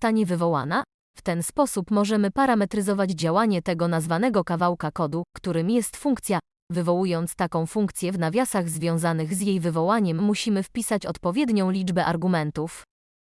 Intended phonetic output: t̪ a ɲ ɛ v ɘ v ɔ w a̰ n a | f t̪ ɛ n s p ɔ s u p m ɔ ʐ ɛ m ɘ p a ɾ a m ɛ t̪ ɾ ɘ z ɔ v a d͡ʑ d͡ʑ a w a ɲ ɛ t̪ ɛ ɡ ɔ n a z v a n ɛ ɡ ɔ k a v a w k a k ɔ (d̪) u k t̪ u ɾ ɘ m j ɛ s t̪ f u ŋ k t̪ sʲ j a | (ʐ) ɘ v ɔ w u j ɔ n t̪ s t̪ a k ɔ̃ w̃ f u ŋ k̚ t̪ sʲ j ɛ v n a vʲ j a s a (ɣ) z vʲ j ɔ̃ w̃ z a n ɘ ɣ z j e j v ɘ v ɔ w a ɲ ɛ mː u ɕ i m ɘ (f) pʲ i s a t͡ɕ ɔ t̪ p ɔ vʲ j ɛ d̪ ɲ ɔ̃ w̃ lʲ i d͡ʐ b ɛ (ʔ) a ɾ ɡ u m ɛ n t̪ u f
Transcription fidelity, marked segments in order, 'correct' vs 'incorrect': correct, incorrect, correct, correct, correct

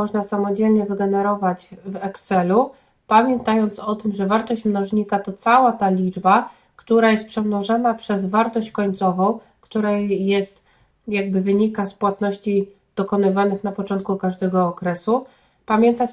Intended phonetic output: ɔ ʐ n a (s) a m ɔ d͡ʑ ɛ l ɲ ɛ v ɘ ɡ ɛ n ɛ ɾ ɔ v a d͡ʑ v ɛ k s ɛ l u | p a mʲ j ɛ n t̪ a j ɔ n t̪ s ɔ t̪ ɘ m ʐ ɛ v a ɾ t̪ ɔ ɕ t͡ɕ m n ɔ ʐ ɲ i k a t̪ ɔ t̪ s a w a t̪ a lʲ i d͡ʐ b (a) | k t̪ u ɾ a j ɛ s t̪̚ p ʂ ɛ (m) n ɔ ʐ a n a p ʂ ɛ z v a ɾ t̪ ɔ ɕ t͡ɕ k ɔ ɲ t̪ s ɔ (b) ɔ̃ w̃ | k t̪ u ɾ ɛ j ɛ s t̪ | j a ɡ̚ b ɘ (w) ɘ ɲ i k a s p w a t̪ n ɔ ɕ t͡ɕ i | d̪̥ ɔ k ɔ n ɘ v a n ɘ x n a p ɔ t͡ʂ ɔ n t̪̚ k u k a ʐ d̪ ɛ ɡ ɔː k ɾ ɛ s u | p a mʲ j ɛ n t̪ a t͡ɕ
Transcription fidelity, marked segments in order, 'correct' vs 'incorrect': correct, correct, correct, incorrect, incorrect

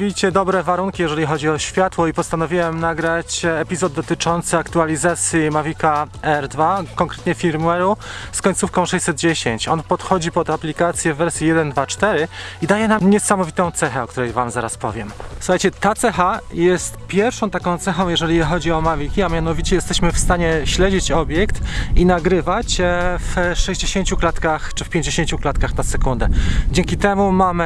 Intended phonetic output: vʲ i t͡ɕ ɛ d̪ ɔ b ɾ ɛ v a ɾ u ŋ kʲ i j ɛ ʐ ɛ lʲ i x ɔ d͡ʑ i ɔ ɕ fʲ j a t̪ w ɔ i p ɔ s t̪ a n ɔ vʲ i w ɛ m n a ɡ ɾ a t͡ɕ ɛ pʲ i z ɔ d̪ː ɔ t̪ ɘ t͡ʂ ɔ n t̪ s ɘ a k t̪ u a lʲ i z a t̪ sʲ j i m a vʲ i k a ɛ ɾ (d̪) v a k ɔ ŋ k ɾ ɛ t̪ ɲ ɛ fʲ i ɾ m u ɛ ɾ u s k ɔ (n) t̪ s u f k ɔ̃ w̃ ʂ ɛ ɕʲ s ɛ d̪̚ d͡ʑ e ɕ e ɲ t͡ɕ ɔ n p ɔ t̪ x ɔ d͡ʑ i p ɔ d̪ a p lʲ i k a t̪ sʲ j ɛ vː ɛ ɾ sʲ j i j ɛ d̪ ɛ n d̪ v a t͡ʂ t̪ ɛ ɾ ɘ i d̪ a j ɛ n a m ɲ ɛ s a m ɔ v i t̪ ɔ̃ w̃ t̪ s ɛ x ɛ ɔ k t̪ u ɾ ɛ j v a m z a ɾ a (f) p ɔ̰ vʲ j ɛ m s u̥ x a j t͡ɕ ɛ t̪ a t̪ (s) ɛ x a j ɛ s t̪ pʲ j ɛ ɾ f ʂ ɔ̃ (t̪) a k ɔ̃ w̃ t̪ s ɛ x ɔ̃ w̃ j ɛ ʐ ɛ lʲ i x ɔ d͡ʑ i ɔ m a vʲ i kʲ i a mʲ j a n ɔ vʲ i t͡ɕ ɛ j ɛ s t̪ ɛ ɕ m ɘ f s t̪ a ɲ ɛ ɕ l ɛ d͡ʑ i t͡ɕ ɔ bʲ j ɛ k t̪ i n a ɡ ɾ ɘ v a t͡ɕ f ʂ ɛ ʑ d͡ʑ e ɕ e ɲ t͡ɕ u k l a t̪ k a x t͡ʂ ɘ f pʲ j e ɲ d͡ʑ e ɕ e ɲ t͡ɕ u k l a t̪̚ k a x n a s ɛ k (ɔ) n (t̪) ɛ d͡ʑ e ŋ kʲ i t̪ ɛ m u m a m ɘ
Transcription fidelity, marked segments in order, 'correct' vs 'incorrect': correct, incorrect, incorrect, correct, correct, incorrect, incorrect

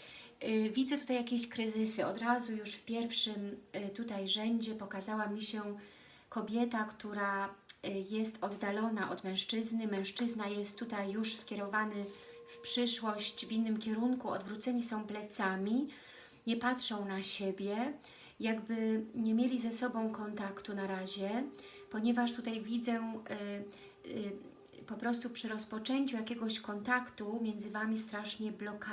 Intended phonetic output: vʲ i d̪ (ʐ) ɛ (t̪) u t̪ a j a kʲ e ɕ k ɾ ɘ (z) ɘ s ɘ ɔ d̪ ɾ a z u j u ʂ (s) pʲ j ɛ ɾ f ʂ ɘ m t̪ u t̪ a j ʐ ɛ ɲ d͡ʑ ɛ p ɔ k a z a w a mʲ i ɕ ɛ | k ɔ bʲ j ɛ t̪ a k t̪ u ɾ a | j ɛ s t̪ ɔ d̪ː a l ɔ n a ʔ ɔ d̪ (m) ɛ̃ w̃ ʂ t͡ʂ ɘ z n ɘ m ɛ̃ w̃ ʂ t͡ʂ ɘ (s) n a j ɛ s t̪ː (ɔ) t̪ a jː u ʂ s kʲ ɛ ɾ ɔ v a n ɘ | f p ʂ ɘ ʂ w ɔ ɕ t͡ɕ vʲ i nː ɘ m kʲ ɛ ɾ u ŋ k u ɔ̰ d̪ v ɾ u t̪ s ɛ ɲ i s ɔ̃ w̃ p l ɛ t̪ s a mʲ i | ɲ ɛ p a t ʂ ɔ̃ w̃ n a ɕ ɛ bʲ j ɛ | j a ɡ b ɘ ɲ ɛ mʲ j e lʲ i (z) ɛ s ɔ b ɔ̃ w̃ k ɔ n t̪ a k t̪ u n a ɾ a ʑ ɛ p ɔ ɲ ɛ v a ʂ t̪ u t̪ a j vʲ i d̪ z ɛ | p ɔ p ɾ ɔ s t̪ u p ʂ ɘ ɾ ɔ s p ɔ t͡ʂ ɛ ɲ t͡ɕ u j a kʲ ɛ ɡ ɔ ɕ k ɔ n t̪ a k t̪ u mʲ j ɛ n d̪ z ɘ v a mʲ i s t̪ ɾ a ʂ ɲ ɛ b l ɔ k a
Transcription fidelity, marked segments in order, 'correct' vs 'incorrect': incorrect, correct, correct, incorrect, correct, incorrect, incorrect, correct

